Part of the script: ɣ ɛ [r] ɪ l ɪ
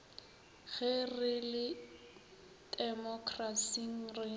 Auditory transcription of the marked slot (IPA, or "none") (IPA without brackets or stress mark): r